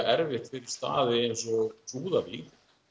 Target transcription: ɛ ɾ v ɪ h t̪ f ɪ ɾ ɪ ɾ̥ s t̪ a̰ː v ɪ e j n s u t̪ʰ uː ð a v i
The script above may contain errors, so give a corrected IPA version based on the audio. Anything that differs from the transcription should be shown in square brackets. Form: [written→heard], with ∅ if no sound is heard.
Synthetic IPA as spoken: ɛ ɾ v ɪ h t̪ f ɪ ɾ ɪ ɾ̥ s t̪ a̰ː [v→ð] ɪ e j n s [u→ɔ] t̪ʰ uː ð a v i

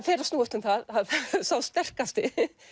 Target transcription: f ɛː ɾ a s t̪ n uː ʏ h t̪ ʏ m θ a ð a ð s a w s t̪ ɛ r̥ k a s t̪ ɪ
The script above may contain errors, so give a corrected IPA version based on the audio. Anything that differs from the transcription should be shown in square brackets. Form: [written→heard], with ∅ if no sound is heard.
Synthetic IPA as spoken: f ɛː ɾ a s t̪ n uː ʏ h t̪ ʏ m θ a ð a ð s a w s t̪ ɛ r̥ k a s t̪ ɪ

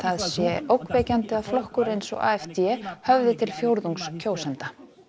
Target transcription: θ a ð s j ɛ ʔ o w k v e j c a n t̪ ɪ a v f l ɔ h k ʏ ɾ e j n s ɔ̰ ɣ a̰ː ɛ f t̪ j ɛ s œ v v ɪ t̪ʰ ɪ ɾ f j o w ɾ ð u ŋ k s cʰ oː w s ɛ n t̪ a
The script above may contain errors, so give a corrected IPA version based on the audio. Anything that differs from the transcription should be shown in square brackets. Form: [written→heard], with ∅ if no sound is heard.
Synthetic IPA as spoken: θ a ð s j ɛ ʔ o w k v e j c a n t̪ ɪ a [v→ð] f l ɔ h k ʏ ɾ e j n s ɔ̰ ɣ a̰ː ɛ f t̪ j ɛ [s→h] œ v [v→ð] ɪ t̪ʰ ɪ [ɾ→l] f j o w ɾ ð u ŋ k s cʰ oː w s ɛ n t̪ a

